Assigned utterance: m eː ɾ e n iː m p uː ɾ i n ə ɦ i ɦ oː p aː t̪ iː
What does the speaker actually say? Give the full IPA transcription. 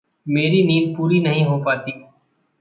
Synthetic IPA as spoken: m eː ɾ i n iː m p uː ɾ i n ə ɦ ĩ ɦ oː p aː t̪ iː